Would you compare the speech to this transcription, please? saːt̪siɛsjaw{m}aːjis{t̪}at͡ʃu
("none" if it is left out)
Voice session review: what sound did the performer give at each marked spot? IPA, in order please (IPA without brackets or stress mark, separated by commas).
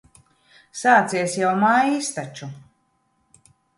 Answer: m, t̪